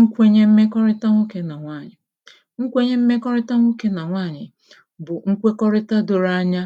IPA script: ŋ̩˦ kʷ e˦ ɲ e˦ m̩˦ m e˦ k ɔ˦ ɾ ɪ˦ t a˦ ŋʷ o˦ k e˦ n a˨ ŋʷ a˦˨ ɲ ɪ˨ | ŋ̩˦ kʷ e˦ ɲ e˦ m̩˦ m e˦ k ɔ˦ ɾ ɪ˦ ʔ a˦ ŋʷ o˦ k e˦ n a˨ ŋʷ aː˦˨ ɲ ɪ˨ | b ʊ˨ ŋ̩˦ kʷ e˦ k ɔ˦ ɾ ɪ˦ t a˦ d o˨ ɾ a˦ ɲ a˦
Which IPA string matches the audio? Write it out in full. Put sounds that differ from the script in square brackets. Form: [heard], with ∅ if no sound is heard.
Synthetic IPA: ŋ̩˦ kʷ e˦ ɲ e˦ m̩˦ m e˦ k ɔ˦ ɾ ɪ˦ t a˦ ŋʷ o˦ k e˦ n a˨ ŋʷ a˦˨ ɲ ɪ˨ | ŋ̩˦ kʷ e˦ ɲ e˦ m̩˦ m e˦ k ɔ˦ ɾ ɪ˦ [t] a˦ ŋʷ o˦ k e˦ n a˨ ŋʷ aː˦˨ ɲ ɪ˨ | b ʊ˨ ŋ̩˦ kʷ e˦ k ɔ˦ ɾ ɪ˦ t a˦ d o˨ ɾ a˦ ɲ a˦

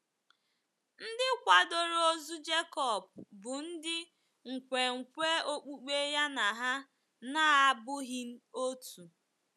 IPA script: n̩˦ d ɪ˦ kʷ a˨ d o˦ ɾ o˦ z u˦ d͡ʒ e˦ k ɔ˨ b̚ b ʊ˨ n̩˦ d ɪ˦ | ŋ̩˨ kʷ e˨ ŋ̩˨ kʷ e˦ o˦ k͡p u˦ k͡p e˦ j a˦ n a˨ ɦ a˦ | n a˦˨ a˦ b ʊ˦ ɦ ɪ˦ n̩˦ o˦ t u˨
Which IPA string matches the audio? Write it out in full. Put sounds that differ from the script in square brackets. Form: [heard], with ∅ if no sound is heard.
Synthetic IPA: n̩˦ d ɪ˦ kʷ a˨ d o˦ ɾ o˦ z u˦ d͡ʒ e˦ k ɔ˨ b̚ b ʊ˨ n̩˦ d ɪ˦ | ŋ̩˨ kʷ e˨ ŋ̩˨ kʷ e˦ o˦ k͡p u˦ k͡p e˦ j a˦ n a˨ ɦ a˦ | n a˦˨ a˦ b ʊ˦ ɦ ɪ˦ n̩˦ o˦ t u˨

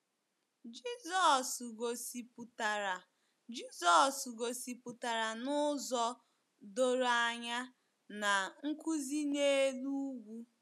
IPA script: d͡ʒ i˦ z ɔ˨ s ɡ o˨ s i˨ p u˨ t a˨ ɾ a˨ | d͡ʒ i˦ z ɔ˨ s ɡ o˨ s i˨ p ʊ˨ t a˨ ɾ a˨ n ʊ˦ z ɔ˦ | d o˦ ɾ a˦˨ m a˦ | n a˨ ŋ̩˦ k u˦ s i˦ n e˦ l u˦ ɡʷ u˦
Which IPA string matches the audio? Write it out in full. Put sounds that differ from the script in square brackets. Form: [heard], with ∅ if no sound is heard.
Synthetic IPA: d͡ʒ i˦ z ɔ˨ s ɡ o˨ s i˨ p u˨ t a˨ ɾ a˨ | d͡ʒ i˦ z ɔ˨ s ɡ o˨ s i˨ p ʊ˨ t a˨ ɾ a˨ n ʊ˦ z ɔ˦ | d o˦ ɾ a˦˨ [ɲ] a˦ | n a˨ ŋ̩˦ k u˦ [z] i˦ n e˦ l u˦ ɡʷ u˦

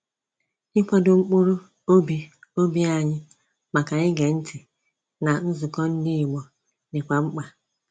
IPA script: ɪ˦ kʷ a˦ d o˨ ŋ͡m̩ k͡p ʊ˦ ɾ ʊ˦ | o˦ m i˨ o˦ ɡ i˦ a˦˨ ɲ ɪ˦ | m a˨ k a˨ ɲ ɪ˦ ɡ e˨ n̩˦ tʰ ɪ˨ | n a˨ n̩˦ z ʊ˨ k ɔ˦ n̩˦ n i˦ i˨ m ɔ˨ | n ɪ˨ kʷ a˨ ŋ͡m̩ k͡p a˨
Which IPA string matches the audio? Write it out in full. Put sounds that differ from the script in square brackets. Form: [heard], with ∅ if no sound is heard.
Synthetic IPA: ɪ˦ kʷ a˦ d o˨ ŋ͡m̩ k͡p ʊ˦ ɾ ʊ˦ | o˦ [b] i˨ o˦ [b] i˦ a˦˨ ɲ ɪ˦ | m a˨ k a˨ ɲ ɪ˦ ɡ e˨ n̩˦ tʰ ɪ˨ | n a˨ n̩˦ z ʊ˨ k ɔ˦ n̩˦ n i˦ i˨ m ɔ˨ | n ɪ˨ kʷ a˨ ŋ͡m̩ k͡p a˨

